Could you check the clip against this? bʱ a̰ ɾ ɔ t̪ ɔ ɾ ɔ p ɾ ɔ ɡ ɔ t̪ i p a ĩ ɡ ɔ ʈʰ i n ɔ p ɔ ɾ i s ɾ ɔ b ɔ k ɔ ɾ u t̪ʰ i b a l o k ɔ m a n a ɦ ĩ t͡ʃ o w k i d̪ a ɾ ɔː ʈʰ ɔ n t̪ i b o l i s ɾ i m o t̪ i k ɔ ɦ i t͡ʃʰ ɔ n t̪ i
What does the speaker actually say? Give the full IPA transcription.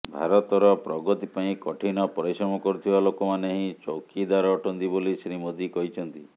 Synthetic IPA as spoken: bʱ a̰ ɾ ɔ t̪ ɔ ɾ ɔ p ɾ ɔ ɡ ɔ t̪ i p a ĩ k ɔ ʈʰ i n ɔ p ɔ ɾ i s ɾ ɔ m ɔ k ɔ ɾ u t̪ʰ i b a l o k ɔ m a n e ɦ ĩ t͡ʃ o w k i d̪ a ɾ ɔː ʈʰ ɔ n t̪ i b o l i s ɾ i m o d̪ i k ɔ ɦ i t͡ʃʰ ɔ n t̪ i